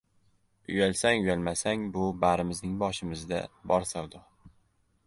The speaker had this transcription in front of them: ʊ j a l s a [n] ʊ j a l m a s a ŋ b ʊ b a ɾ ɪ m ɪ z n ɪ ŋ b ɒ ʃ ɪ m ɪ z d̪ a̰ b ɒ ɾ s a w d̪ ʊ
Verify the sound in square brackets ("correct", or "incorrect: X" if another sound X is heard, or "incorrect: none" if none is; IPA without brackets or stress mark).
incorrect: ŋ